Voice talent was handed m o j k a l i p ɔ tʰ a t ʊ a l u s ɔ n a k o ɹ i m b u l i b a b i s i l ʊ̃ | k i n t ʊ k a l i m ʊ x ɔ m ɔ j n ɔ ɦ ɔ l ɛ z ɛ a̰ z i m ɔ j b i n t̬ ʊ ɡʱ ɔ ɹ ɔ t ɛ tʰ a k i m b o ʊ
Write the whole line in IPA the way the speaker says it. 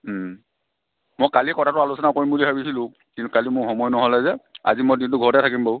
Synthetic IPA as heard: m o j k a l i k ɔ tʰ a t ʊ a l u s ɔ n a k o ɹ i m b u l i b a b i s i l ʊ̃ | k i n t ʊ k a l i m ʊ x ɔ m ɔ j n ɔ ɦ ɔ l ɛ z ɛ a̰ z i m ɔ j d i n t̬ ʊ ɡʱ ɔ ɹ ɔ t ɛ tʰ a k i m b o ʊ